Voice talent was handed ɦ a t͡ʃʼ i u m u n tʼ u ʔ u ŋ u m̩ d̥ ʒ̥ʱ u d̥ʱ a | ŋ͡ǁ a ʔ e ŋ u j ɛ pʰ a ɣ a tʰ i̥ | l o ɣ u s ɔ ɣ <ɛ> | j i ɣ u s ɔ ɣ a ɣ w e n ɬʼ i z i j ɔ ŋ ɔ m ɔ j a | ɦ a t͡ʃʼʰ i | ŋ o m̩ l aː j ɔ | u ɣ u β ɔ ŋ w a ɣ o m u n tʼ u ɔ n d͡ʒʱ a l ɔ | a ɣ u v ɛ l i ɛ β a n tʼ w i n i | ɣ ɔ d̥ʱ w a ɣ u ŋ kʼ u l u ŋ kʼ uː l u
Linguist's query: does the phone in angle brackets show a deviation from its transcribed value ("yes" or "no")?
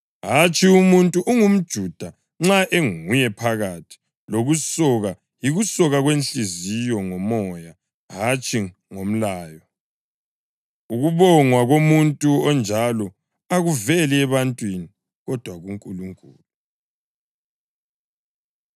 yes